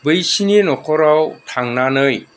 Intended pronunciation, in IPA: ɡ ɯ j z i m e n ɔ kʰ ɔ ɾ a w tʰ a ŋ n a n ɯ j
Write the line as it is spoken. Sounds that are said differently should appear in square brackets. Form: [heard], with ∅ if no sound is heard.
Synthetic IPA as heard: [b] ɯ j [s] i [n] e n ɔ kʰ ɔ ɾ a w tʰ a ŋ n a n ɯ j